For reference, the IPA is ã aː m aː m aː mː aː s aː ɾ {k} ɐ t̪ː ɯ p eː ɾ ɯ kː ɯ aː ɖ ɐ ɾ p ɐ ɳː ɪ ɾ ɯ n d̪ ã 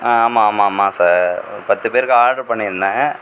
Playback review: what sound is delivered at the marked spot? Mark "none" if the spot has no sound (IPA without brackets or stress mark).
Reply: p